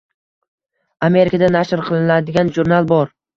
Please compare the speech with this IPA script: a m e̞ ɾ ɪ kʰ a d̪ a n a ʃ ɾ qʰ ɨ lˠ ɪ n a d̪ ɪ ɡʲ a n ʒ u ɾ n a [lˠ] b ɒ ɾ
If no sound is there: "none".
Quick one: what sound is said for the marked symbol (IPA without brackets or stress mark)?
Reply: lˠ